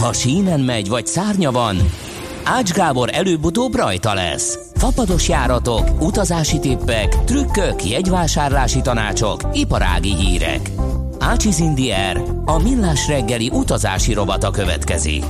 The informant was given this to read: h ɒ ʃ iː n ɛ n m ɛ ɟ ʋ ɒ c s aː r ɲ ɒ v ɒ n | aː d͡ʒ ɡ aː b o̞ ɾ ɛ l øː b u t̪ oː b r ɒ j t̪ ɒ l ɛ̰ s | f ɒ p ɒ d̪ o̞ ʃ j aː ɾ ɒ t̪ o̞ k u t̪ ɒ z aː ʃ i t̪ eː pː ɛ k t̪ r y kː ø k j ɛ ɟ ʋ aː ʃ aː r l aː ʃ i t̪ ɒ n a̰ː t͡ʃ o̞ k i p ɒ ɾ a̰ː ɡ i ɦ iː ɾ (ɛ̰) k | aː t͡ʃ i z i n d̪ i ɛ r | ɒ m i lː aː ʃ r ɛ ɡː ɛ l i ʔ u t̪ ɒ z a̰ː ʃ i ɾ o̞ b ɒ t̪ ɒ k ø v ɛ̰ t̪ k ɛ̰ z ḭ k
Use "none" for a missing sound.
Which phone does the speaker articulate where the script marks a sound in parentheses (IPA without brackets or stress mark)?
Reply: ɛ̰